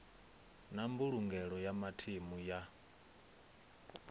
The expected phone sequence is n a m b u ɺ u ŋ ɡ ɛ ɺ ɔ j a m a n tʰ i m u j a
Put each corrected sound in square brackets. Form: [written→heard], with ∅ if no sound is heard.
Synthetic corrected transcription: n a m b u ɺ u ŋ ɡ ɛ ɺ ɔ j a m a [n→∅] tʰ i m u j a